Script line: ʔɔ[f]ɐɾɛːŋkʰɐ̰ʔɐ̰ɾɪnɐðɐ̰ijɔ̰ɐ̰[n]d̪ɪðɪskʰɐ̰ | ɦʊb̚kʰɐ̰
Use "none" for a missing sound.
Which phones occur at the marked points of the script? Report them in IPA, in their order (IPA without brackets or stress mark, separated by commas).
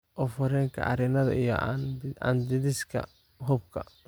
f, n